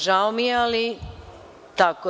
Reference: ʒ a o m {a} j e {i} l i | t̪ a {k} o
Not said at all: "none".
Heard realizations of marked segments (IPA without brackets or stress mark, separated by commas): i, a, k